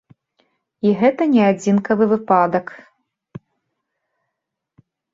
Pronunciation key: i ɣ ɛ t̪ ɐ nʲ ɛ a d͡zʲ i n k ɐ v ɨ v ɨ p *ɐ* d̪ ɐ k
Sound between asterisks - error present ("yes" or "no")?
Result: yes